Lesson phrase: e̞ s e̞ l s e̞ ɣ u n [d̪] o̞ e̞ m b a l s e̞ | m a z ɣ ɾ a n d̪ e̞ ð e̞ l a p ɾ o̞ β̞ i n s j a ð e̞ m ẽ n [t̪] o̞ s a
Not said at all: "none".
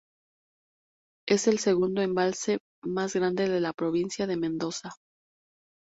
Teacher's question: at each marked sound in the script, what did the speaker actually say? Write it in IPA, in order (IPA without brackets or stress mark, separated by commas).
d̪, d̪